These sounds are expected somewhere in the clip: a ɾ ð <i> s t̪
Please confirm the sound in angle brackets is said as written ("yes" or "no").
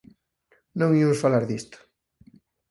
yes